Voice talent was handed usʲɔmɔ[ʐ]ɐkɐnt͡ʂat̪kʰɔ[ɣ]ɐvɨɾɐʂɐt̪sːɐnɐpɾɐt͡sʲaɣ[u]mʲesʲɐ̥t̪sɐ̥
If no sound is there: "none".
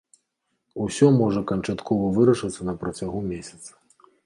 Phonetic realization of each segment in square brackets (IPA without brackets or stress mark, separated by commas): ʐ, v, u